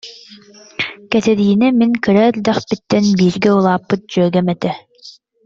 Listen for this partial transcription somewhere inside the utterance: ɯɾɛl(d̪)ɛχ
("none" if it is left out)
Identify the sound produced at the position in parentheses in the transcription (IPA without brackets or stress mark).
d̪